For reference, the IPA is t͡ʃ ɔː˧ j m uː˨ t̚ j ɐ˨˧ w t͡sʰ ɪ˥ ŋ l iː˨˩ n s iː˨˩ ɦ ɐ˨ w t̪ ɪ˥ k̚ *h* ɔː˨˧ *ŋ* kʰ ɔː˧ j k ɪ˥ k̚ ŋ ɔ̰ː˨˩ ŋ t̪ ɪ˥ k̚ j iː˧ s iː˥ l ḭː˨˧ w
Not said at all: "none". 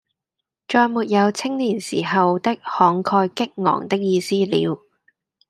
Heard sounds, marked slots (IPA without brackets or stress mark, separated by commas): h, ŋ